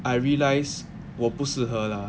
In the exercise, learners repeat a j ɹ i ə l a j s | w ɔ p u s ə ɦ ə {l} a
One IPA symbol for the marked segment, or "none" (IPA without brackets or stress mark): l